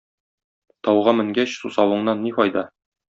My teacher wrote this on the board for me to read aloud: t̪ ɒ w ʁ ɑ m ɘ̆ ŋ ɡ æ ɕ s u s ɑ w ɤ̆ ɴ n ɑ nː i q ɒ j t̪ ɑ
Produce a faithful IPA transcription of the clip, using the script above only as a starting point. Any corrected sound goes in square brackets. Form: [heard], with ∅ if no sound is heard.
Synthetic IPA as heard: t̪ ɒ w ʁ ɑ m ɘ̆ ŋ ɡ æ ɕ s u s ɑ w ɤ̆ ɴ n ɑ nː i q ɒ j [d̪] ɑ